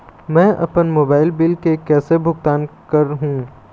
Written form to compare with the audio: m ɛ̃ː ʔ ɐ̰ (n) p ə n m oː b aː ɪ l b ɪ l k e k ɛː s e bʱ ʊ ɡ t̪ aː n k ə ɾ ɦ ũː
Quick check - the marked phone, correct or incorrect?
incorrect